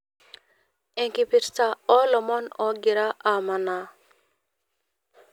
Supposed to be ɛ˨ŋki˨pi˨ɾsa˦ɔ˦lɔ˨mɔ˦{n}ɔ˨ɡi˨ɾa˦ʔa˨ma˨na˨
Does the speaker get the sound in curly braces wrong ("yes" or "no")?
no